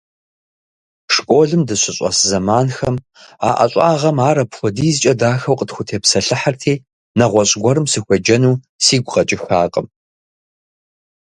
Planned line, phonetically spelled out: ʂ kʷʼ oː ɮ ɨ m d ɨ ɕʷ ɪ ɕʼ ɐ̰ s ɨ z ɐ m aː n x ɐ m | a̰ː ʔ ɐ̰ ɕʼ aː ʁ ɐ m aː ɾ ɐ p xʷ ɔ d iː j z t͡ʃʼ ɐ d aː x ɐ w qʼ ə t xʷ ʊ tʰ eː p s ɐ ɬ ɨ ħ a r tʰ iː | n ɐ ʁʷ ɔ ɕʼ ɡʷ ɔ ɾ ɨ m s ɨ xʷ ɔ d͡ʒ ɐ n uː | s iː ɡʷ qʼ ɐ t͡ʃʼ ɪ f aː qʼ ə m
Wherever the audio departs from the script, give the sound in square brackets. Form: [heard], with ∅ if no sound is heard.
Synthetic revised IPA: ʂ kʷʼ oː ɮ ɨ m d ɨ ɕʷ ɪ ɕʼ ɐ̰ s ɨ z ɐ m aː n x ɐ m | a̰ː ʔ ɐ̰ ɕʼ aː ʁ ɐ m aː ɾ ɐ p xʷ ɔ d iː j z t͡ʃʼ ɐ d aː x ɐ w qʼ ə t xʷ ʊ tʰ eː p s ɐ ɬ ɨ ħ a r tʰ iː | n ɐ ʁʷ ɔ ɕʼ ɡʷ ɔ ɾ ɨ m s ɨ xʷ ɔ d͡ʒ ɐ n uː | s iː ɡʷ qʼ ɐ t͡ʃʼ ɪ [x] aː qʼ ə m